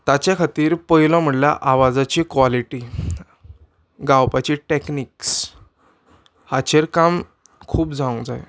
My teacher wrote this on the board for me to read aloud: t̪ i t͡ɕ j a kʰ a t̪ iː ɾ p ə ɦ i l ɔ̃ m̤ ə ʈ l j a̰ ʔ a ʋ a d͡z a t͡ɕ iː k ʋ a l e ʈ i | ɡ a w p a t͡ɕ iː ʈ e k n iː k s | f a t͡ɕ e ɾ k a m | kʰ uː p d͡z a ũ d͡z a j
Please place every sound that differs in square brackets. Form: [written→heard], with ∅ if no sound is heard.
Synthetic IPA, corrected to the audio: t̪ [i→a] t͡ɕ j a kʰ a t̪ iː ɾ p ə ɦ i l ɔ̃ m̤ ə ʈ l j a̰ ʔ a ʋ a d͡z a t͡ɕ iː k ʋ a l [e→i] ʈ i | ɡ a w p a t͡ɕ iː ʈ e k n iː k s | [f→h] a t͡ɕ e ɾ k a m | kʰ uː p d͡z a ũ d͡z a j

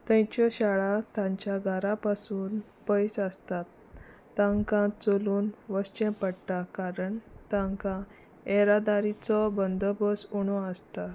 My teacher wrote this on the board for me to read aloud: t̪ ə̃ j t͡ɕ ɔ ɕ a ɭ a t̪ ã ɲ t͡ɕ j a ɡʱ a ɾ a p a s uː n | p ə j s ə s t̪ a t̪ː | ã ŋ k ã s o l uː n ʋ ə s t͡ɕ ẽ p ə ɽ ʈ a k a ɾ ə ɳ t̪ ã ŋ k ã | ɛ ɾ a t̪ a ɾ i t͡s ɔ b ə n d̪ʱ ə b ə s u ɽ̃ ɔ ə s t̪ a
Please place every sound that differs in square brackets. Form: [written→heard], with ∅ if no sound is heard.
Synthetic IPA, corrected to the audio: t̪ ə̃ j t͡ɕ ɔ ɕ a ɭ a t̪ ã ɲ t͡ɕ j a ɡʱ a ɾ a p a s uː n | p ə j s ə s t̪ a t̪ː | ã ŋ k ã [s→t͡s] o l uː n ʋ ə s t͡ɕ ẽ p ə ɽ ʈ a k a ɾ ə ɳ t̪ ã ŋ k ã | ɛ ɾ a [t̪→d̪] a ɾ i t͡s ɔ b ə n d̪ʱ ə b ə s u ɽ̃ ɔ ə s t̪ a

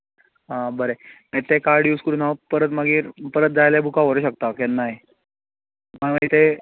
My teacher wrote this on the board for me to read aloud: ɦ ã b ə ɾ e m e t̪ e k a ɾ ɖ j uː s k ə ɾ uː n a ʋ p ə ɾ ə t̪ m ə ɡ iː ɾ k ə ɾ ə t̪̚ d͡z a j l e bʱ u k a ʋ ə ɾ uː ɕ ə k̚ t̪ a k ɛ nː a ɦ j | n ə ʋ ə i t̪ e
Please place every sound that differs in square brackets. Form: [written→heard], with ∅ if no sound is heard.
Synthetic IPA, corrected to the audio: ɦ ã b ə ɾ e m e t̪ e k a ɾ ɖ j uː s k ə ɾ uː n a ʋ p ə ɾ ə t̪ m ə ɡ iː ɾ [k→p] ə ɾ ə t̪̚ d͡z a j l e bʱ u k a ʋ ə ɾ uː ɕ ə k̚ t̪ a k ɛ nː a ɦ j | [n→m] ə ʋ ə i t̪ e

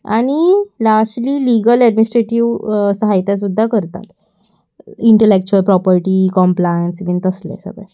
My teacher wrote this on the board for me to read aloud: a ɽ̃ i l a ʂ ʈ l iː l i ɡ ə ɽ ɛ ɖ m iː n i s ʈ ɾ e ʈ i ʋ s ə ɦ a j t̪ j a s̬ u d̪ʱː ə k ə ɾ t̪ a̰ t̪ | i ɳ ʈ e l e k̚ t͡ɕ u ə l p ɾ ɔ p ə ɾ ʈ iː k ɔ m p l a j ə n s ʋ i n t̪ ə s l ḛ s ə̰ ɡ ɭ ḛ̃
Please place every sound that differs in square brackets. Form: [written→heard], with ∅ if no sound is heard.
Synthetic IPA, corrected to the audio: a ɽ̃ i l a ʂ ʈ l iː l i ɡ ə [ɽ→l] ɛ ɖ m [iː→i] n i s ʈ ɾ e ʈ i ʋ s ə ɦ a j t̪ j a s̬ u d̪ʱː [ə→a] k ə ɾ t̪ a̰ t̪ | i ɳ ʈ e l e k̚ t͡ɕ u ə l p ɾ ɔ p ə ɾ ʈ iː k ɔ m p l a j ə n s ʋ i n t̪ ə s l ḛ s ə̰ ɡ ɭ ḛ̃

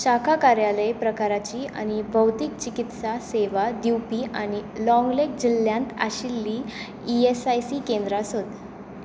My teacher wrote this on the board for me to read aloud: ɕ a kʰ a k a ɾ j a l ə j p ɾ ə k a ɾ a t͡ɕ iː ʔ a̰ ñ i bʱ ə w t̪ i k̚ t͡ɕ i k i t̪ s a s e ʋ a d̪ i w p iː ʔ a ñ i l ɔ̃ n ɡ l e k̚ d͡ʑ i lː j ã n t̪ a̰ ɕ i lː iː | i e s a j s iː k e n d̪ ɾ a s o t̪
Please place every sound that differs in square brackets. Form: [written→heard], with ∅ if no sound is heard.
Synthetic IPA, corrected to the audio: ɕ a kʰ a k a ɾ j a l ə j p ɾ ə k a ɾ a t͡ɕ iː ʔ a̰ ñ i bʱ ə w t̪ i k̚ t͡ɕ i k i t̪ s a s e ʋ a d̪ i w p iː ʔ a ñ i l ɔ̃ [n→ŋ] ɡ l e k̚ d͡ʑ i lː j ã n t̪ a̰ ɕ i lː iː | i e s a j s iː k e n d̪ ɾ a s o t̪

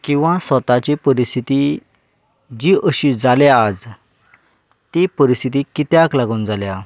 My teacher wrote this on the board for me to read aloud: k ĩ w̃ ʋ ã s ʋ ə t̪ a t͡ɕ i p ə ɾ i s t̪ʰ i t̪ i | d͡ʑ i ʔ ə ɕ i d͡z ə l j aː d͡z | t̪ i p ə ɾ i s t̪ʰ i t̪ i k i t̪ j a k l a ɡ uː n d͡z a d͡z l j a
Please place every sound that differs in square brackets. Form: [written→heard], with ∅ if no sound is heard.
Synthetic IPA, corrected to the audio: k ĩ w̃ ʋ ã s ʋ ə t̪ a t͡ɕ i p ə ɾ i s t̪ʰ i t̪ i | d͡ʑ i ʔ ə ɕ i d͡z [ə→a] l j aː d͡z | t̪ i p ə ɾ i s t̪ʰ i t̪ i k i t̪ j a k l a ɡ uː n d͡z a [d͡z→∅] l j a

